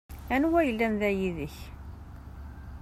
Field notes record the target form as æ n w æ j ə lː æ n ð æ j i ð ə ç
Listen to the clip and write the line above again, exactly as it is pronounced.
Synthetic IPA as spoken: æ n w æ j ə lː æ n ð æ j i ð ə ç